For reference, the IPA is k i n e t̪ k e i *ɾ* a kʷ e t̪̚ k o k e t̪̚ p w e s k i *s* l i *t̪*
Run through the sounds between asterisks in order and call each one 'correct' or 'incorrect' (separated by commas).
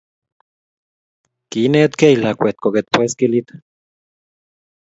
incorrect, incorrect, correct